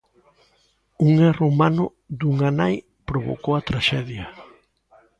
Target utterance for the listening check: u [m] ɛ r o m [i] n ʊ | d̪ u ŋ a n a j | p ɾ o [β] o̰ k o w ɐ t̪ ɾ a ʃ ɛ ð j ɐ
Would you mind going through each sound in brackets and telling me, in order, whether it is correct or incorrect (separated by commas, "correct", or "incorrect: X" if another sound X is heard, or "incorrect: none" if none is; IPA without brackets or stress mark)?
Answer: incorrect: ŋ, incorrect: a, correct